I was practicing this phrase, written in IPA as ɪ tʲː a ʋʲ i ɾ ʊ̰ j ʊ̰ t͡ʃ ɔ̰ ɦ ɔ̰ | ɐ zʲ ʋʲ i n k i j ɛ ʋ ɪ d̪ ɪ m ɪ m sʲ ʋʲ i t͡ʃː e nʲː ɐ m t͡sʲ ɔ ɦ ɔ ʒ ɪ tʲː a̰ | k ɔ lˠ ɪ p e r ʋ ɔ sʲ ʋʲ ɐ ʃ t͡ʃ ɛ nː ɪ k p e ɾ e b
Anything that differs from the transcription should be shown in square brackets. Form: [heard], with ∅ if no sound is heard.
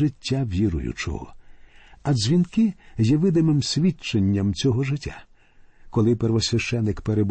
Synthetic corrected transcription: ɪ tʲː a ʋʲ i ɾ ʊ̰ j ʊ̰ t͡ʃ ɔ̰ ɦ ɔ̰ | ɐ zʲ ʋʲ i n k [ɪ] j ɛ ʋ ɪ d̪ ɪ m ɪ m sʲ ʋʲ i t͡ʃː e nʲː ɐ m t͡sʲ ɔ ɦ ɔ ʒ ɪ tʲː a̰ | k ɔ lˠ ɪ p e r ʋ ɔ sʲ ʋʲ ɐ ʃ t͡ʃ ɛ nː ɪ k p e ɾ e b